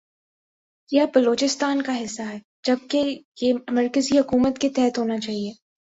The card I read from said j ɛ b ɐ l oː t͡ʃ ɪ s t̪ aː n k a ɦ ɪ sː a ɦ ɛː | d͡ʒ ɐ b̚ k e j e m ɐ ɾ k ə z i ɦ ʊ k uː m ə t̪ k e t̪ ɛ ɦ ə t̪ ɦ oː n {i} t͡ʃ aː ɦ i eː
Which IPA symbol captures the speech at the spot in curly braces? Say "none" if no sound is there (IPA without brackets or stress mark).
a